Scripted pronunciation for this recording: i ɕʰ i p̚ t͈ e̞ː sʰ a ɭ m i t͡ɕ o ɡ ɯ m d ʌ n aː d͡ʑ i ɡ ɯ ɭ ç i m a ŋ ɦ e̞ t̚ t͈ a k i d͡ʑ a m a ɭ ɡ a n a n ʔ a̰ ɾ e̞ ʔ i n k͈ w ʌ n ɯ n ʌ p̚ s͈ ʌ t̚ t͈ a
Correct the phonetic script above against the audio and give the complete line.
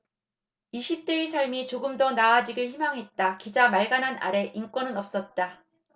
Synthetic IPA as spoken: i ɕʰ i p̚ t͈ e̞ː sʰ a ɭ m i t͡ɕ o ɡ ɯ m d ʌ n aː d͡ʑ i ɡ ɯ ɭ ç i m a ŋ ɦ e̞ t̚ t͈ a k i d͡ʑ a m a ɭ ɡ a n a n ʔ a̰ ɾ e̞ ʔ i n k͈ w ʌ n ɯ n ʌ p̚ s͈ ʌ t̚ t͈ a